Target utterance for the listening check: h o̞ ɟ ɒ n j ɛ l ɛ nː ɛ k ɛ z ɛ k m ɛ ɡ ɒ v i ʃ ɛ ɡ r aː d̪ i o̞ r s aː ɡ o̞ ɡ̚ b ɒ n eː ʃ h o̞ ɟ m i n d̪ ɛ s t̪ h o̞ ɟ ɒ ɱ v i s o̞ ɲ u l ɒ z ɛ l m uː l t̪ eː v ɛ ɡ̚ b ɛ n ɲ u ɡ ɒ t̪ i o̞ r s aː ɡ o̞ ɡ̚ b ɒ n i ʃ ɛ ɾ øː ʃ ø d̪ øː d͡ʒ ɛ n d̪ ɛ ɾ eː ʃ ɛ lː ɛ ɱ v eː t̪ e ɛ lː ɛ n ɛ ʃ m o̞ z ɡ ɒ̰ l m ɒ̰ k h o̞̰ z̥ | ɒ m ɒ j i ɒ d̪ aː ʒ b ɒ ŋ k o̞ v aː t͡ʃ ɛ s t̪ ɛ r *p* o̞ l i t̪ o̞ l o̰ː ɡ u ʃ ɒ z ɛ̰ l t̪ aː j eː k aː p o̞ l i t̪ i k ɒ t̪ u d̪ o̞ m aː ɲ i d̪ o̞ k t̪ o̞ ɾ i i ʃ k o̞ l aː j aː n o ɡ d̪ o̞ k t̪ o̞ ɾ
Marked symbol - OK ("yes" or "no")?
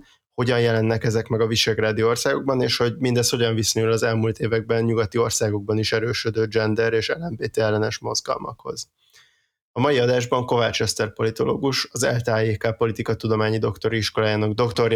yes